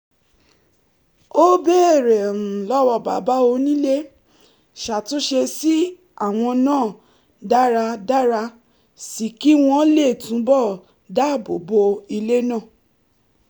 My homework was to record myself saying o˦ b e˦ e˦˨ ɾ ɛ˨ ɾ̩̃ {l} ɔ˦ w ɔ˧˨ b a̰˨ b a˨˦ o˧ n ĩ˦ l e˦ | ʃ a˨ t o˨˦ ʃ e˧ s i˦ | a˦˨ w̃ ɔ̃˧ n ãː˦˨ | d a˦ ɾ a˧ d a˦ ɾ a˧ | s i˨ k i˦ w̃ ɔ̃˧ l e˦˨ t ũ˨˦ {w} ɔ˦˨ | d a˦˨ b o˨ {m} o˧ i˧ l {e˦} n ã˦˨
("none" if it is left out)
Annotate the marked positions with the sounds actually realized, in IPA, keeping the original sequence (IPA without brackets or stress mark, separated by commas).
l, b, b, e˦